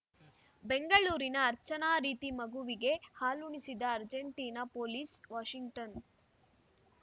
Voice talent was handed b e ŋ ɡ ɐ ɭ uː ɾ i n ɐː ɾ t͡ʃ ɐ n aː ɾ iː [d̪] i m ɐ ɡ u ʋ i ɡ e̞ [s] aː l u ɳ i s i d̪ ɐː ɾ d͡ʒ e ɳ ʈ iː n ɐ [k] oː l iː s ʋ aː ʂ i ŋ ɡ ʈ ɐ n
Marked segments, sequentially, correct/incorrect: incorrect, incorrect, incorrect

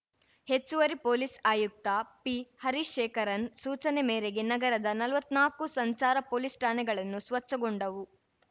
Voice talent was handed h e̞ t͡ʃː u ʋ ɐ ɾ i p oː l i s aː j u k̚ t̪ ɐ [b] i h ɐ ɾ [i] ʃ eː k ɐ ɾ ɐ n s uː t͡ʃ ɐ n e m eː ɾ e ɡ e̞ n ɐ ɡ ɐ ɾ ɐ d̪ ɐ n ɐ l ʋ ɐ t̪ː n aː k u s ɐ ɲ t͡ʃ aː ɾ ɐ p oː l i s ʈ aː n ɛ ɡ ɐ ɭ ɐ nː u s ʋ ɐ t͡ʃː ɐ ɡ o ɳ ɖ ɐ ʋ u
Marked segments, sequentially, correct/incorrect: incorrect, correct

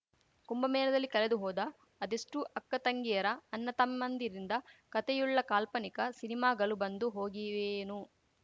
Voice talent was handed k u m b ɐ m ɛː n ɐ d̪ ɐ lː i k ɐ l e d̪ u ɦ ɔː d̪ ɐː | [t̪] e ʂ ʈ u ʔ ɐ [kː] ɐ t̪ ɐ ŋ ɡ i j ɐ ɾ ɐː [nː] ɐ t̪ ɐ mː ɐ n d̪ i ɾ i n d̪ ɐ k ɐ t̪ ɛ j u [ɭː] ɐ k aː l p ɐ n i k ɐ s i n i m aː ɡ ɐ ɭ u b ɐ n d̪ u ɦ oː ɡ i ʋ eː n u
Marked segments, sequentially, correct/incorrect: incorrect, correct, correct, correct

